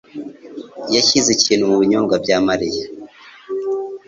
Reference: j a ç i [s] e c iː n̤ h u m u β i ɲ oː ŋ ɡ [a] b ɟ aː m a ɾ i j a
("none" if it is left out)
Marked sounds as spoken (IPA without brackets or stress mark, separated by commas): z, a